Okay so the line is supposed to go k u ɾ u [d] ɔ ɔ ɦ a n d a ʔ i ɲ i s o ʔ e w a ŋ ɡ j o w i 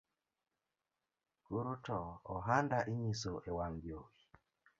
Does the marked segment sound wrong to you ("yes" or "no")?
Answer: yes